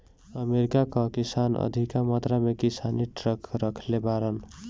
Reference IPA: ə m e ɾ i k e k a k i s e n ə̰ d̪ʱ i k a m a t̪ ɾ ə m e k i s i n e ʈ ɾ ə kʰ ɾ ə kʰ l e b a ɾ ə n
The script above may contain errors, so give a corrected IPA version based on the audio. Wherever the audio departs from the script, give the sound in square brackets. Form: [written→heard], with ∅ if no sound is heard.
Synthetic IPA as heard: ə m e ɾ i k [e→a] k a k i s [e→a] n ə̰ d̪ʱ i k a m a t̪ ɾ [ə→a] m e k i s [i→a] n [e→i] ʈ ɾ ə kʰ ɾ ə kʰ l e b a ɾ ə n